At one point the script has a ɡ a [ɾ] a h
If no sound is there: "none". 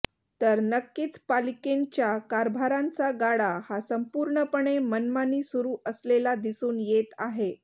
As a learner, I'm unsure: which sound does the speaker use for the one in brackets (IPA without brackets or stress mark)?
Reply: ɽ